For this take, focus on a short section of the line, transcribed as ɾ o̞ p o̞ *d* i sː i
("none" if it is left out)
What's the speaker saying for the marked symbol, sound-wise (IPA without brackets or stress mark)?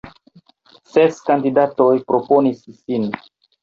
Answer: n